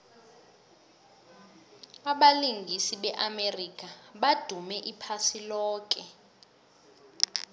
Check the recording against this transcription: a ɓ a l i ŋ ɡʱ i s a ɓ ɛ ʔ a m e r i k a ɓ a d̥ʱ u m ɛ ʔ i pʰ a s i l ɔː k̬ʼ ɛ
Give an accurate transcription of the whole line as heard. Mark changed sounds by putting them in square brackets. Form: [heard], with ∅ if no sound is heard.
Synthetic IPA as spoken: a ɓ a l i ŋ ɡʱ i s [i] ɓ ɛ ʔ a m e r i k a ɓ a d̥ʱ u m ɛ ʔ i pʰ a s i l ɔː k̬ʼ ɛ